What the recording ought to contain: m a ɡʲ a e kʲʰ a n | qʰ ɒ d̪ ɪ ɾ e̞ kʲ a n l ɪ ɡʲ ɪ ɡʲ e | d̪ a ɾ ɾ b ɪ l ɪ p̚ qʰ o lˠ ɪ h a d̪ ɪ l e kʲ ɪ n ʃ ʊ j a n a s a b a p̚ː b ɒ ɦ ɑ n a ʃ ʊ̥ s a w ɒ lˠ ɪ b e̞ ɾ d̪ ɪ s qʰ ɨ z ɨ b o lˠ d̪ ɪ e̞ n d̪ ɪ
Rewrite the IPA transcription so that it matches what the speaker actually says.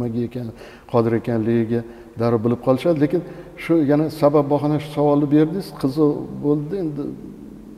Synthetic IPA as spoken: m a ɡʲ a e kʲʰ a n | qʰ ɒ d̪ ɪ ɾ e̞ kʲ a n l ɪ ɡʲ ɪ ɡʲ a | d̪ a ɾ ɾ b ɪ l ɪ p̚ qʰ ɒ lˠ ɪ ʃ a d̪ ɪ l e kʲ ɪ n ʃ ʊ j a n a s a b a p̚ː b ɒ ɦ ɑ n a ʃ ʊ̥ s a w ɒ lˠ ɪ b e̞ ɾ d̪ ɪ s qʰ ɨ z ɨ b o lˠ d̪ ɪ e̞ n d̪ ɪ